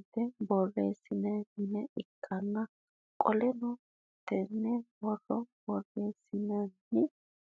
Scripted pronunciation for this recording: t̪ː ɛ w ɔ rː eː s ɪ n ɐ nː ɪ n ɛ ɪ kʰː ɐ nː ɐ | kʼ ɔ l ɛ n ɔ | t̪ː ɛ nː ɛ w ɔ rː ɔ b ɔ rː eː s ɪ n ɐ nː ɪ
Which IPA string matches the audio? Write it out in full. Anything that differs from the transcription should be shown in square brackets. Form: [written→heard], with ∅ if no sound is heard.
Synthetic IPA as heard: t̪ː ɛ [w→b] ɔ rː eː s ɪ n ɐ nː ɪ n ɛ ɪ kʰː ɐ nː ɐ | kʼ ɔ l ɛ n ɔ | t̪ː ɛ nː ɛ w ɔ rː ɔ b ɔ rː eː s ɪ n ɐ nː ɪ